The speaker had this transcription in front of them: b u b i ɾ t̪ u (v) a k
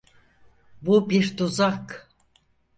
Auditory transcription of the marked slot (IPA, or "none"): z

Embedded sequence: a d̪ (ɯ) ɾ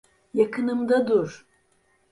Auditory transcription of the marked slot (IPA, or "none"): u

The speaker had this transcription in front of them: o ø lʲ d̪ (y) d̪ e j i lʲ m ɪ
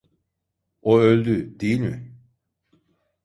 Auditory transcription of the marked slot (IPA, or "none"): y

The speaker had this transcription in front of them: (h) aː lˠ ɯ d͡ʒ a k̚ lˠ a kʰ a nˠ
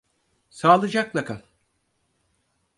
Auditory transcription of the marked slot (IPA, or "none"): s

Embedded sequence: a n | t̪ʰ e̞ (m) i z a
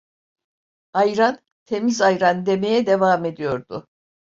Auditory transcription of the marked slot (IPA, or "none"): m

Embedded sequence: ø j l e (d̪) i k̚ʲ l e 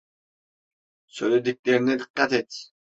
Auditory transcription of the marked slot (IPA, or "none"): d̪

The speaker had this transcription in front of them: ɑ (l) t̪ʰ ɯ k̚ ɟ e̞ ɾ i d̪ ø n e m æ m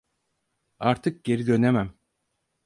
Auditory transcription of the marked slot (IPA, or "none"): ɾ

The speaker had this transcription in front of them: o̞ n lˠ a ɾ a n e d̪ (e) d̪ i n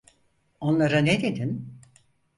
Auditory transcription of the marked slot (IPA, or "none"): e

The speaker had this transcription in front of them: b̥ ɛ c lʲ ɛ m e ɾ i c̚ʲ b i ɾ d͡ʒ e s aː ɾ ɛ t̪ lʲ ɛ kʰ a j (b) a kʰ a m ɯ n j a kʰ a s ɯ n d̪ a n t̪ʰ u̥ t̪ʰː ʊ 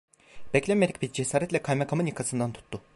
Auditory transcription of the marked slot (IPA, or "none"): m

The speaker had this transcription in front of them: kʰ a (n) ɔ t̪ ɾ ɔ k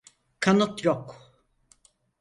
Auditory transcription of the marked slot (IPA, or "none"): n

